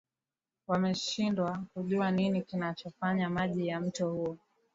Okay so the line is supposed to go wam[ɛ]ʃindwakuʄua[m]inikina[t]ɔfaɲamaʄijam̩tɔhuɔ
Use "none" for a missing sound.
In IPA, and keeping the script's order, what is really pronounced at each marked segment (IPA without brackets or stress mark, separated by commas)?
ɛ, n, t͡ʃ